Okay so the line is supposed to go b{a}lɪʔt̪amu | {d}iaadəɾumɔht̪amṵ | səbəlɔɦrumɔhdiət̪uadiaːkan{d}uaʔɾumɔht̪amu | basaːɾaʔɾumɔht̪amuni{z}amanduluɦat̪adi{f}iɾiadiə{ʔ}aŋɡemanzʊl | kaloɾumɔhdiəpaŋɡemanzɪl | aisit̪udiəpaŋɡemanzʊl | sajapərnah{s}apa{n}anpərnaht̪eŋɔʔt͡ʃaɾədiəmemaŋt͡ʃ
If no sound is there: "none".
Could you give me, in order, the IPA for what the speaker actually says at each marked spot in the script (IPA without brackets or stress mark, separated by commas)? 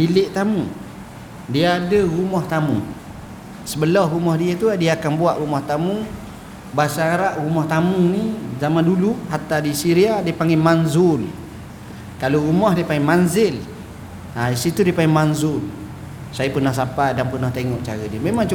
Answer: i, d, b, z, s, p, s, d